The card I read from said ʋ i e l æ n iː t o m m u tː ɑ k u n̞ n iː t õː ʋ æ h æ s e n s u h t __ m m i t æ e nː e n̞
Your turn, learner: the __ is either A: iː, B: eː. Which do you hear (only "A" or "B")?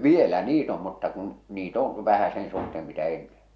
B